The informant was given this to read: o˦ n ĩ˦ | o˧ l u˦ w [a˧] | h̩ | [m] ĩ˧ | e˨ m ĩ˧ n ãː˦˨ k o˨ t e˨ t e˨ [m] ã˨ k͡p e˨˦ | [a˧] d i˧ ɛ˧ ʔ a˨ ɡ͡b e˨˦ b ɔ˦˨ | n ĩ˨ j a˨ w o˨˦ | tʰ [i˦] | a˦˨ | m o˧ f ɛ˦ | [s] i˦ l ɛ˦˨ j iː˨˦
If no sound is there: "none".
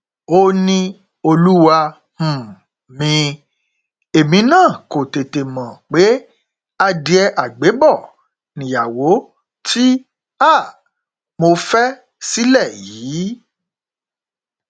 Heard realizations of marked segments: a˧, m, m, a˧, i˦, s

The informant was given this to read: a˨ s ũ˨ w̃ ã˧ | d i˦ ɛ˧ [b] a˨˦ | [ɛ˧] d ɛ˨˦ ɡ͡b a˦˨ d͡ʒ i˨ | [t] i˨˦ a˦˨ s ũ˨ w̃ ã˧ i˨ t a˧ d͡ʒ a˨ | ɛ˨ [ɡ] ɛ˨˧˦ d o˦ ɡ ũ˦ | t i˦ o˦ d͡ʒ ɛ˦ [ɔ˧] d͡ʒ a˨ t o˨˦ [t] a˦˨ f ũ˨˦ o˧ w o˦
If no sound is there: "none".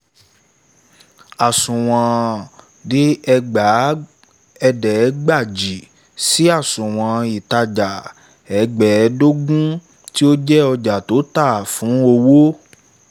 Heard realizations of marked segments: ɡ͡b, ɛ˧, s, ɡ͡b, ɔ˧, t

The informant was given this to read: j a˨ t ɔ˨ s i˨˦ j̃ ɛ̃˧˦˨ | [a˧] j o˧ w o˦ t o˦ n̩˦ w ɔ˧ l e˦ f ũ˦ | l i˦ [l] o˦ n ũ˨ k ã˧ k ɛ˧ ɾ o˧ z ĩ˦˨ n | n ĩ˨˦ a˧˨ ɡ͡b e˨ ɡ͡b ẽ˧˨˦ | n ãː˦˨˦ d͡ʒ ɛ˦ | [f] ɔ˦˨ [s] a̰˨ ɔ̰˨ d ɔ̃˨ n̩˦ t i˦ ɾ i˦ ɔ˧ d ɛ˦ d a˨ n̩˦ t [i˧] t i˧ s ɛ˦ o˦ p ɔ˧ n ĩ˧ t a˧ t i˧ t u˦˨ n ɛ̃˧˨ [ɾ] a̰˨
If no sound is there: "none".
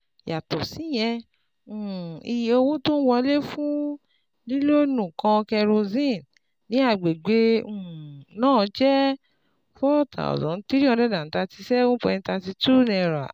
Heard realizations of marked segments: i˧, l, f, t, a˧, ɾ

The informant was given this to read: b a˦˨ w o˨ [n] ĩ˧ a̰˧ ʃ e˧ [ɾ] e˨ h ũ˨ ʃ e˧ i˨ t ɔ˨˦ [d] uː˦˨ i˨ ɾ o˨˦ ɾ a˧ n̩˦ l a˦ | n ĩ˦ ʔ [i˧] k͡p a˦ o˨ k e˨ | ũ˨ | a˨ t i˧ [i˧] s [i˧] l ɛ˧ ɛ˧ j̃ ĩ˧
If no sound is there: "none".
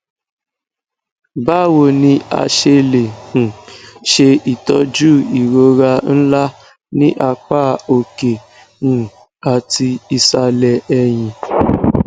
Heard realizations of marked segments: n, l, d͡ʒ, a˧, i˧, a˧

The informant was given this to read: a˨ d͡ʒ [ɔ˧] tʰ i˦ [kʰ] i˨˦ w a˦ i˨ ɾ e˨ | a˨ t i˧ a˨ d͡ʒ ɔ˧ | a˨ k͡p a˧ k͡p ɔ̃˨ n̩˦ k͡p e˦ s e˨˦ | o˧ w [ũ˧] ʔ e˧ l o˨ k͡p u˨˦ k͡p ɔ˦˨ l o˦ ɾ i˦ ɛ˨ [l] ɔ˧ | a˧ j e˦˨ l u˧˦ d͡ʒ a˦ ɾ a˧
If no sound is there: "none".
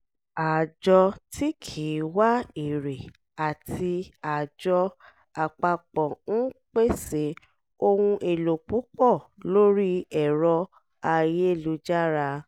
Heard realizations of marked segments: ɔ˧, kʰ, ũ˧, ɾ

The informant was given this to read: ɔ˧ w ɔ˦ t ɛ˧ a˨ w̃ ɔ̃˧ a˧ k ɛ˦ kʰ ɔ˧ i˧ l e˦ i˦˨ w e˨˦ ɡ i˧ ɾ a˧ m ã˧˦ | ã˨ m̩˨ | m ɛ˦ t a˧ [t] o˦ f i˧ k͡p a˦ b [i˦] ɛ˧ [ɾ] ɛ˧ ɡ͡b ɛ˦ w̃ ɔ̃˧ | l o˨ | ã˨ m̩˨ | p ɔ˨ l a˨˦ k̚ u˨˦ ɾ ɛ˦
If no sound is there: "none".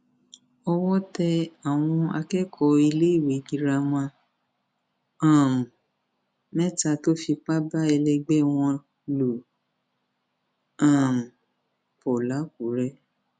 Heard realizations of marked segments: t, a˦, l

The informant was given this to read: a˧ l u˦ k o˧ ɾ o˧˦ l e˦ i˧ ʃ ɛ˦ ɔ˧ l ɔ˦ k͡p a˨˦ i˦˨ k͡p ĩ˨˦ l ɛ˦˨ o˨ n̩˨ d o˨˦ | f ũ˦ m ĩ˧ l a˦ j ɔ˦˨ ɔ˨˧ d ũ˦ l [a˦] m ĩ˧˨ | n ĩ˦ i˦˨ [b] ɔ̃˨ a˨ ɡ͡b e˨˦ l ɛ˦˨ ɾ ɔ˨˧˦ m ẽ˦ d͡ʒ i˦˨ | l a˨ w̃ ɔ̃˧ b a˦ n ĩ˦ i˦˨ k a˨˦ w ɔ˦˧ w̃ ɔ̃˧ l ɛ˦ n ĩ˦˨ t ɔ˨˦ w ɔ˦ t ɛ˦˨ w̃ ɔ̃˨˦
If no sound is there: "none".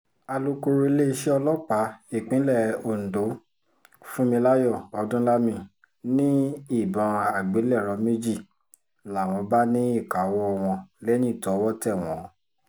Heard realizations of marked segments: a˦, b

